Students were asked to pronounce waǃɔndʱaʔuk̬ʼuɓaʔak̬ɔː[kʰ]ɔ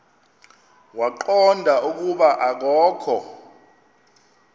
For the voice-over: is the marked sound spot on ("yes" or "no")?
yes